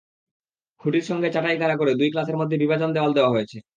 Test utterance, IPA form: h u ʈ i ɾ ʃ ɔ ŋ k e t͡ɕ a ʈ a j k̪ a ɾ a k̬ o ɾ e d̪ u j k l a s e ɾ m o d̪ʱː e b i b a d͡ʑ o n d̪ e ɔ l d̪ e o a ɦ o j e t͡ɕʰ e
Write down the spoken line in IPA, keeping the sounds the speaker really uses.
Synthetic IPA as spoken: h u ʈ i ɾ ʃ ɔ ŋ ɡ e t͡ɕ a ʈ a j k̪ a ɾ a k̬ o ɾ e d̪ u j k l a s e ɾ m o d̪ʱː e b i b a d͡ʑ o n d̪ e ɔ l d̪ e o a ɦ o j e t͡ɕʰ e